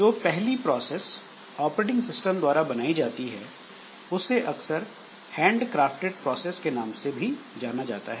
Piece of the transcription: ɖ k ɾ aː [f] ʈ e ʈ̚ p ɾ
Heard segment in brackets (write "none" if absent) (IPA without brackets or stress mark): f